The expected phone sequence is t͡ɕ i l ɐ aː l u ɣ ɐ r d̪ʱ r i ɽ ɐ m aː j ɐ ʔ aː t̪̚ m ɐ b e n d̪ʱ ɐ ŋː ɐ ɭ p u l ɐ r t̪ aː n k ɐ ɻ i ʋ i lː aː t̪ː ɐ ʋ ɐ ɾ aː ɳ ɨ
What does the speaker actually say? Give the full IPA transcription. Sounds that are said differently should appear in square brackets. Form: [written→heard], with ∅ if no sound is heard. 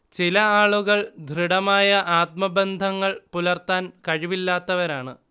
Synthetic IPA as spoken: t͡ɕ i l ɐ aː [l→ɭ] u ɣ ɐ [r→ɭ] d̪ʱ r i ɽ ɐ m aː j ɐ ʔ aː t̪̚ m ɐ b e n d̪ʱ ɐ ŋː ɐ ɭ p u l ɐ r t̪ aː n k ɐ ɻ i ʋ i lː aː t̪ː ɐ ʋ ɐ ɾ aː ɳ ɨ